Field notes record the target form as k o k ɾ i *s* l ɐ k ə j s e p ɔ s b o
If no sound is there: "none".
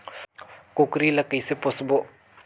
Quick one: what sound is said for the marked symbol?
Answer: none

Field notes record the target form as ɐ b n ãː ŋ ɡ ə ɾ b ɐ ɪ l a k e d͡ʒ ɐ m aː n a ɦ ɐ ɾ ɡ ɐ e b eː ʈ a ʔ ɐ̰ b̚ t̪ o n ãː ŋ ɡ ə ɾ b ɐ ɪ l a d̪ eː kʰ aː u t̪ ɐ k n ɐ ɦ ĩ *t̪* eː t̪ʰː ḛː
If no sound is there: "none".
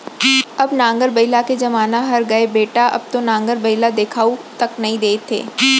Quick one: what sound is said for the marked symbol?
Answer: d̪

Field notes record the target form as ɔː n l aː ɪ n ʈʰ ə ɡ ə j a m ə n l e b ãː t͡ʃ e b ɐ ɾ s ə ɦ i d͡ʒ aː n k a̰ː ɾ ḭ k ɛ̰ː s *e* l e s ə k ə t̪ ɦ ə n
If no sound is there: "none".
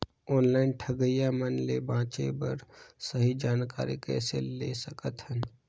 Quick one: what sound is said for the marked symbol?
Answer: e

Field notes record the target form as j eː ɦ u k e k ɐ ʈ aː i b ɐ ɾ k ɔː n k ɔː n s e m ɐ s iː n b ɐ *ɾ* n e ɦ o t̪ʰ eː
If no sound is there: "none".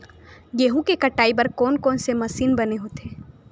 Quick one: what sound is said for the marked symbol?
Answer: none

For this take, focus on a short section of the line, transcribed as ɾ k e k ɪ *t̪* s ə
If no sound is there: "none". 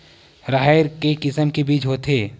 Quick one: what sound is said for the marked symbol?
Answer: none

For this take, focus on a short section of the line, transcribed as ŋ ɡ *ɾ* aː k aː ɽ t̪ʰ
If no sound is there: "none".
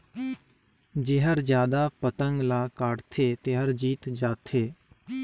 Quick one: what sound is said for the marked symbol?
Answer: l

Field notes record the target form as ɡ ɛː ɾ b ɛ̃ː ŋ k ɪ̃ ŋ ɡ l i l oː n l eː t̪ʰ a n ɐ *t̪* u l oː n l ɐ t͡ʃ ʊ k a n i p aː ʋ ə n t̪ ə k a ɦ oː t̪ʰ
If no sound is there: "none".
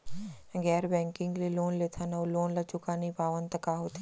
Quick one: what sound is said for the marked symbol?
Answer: none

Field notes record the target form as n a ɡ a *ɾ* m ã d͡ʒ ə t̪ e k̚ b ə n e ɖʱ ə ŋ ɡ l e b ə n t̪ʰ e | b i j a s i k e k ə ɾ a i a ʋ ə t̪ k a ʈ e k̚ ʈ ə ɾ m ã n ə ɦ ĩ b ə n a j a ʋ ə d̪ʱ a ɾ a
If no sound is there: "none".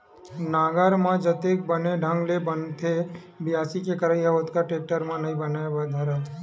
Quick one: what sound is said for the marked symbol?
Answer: ɾ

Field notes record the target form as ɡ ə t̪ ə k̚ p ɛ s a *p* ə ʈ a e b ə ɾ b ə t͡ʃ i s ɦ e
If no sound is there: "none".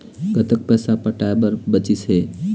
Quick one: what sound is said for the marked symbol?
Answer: p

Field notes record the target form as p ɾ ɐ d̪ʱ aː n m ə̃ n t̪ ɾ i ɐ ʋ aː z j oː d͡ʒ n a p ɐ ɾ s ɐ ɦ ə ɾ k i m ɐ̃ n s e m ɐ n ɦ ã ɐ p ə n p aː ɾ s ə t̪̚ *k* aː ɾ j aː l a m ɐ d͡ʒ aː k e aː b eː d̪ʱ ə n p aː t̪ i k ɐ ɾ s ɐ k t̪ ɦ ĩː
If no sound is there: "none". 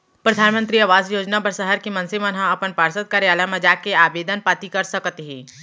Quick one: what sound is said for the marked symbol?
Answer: k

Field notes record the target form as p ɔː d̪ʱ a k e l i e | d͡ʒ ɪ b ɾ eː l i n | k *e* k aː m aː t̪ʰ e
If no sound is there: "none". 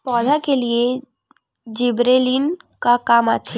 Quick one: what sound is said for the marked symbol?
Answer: a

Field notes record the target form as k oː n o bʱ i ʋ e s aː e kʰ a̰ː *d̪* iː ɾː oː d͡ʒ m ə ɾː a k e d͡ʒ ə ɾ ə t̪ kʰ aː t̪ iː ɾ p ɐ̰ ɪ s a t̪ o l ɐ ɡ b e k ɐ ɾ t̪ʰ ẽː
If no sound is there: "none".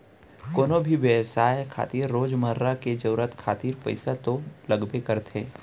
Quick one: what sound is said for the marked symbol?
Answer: t̪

